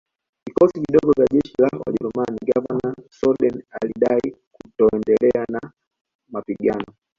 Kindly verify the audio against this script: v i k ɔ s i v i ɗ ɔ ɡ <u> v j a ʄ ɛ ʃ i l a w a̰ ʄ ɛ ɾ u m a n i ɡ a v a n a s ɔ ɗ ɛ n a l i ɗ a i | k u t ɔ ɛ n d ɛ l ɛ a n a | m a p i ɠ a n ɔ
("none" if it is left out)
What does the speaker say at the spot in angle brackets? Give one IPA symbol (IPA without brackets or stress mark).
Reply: ɔ